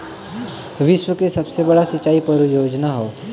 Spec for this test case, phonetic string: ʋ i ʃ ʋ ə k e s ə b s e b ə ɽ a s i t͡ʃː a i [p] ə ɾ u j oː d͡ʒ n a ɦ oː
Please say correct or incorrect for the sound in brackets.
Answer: correct